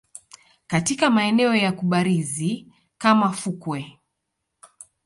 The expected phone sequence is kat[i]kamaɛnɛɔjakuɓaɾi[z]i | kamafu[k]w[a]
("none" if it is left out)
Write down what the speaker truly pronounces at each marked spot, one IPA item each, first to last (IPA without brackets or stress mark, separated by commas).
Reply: i, z, k, ɛ